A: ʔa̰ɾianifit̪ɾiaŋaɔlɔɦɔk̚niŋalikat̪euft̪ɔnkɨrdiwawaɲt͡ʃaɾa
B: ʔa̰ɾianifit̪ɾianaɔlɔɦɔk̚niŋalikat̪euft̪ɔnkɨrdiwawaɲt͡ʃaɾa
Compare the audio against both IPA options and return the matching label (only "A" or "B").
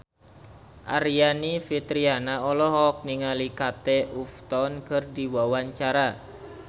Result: B